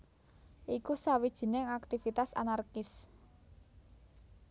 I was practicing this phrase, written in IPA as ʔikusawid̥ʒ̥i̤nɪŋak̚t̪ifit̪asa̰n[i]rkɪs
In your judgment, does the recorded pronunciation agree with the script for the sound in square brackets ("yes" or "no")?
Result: no